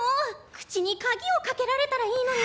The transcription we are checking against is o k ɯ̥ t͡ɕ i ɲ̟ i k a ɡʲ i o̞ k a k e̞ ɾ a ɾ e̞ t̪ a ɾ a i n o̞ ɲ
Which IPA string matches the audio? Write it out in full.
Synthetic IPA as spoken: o k ɯ̥ t͡ɕ i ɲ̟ i k a ɡʲ i o̞ k a k e̞ ɾ a ɾ e̞ t̪ a ɾ a iː n o̞ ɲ